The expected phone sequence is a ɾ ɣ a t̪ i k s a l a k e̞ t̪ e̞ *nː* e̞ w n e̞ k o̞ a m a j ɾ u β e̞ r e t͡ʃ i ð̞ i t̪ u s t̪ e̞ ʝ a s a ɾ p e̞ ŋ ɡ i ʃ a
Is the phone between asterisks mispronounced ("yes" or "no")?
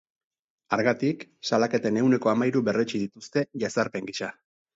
yes